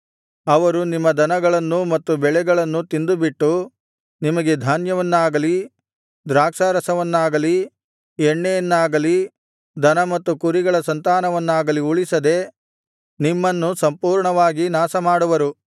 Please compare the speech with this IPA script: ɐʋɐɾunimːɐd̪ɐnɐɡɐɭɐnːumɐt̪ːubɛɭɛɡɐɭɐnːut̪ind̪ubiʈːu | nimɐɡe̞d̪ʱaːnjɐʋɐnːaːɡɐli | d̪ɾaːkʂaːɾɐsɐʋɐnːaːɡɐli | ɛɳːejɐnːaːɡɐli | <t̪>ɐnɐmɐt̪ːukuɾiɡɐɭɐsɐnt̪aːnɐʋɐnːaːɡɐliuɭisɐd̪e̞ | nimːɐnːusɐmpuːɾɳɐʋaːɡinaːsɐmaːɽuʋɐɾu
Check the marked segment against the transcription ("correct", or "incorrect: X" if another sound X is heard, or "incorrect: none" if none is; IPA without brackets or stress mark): incorrect: d̪